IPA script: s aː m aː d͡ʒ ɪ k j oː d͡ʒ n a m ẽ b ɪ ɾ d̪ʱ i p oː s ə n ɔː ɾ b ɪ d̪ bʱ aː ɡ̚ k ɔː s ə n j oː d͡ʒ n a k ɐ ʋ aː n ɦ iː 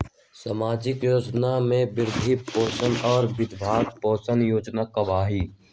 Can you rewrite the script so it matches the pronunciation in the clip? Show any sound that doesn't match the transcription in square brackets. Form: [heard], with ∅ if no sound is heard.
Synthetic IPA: s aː m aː d͡ʒ ɪ k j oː d͡ʒ n a m ẽ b ɪ ɾ d̪ʱ i p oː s ə n ɔː ɾ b ɪ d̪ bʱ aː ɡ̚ [p] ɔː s ə n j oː d͡ʒ n a k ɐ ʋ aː [∅] ɦ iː